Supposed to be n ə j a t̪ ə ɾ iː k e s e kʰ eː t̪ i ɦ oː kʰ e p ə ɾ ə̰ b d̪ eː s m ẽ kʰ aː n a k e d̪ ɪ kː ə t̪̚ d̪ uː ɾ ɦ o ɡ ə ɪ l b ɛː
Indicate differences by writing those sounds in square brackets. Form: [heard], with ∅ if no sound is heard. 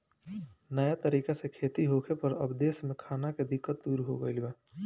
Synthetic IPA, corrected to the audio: n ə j a t̪ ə ɾ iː k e s e kʰ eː t̪ i ɦ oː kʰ e p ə ɾ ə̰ b d̪ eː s m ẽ kʰ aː n a k e d̪ ɪ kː ə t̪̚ d̪ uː ɾ ɦ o ɡ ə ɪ l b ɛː